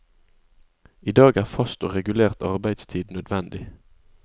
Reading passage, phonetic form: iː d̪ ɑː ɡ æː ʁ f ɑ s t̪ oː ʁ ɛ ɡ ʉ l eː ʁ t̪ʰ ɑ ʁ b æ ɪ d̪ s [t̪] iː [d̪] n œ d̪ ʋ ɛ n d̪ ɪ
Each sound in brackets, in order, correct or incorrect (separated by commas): incorrect, correct